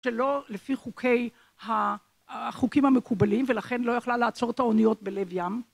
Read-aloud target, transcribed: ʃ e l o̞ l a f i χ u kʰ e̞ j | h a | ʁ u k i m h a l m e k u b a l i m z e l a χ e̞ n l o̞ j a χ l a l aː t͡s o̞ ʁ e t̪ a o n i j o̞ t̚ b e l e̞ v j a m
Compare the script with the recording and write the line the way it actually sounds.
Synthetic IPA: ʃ e l o̞ l e f i χ u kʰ e̞ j | h a | χ u k i m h a m e k u b a l i m v e l a χ e̞ n l o̞ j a χ l a l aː t͡s o̞ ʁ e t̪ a o n i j o̞ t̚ b e l e̞ v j a m